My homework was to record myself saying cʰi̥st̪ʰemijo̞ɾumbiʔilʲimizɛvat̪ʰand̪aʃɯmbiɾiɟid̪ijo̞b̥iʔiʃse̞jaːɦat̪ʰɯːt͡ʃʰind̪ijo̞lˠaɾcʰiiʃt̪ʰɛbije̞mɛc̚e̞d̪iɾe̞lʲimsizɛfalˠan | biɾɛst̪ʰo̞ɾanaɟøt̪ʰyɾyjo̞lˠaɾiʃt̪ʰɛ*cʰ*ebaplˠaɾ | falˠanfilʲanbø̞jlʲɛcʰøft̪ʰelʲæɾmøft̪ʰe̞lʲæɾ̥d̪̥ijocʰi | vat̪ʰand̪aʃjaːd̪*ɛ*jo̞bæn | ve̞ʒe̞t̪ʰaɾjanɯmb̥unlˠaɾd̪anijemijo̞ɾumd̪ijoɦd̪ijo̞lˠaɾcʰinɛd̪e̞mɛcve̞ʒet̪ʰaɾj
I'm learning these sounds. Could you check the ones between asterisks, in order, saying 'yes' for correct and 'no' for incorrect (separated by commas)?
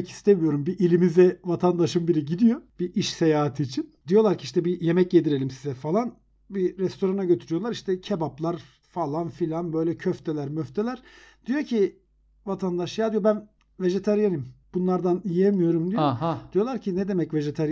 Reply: yes, no